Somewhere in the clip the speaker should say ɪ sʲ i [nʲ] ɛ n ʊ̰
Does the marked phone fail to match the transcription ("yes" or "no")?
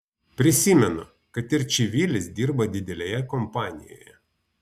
yes